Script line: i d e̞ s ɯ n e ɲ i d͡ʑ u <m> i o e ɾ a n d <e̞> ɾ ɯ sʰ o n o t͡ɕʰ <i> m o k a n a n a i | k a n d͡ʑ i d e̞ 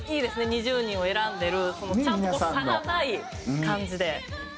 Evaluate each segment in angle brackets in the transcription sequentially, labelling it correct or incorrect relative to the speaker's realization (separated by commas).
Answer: incorrect, correct, incorrect